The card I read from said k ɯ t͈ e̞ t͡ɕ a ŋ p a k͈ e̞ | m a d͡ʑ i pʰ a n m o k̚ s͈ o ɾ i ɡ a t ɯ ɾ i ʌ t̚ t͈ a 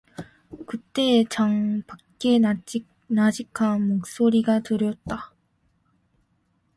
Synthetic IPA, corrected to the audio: k ɯ t͈ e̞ t͡ɕ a ŋ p a k͈ e̞ | n a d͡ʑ i kʰ a n m o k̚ s͈ o ɾ i ɡ a t ɯ ɾ j ʌ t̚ t͈ a